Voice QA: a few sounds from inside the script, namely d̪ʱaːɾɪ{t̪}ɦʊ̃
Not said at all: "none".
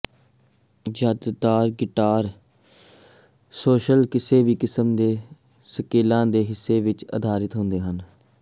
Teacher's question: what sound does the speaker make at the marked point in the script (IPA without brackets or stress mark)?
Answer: t̪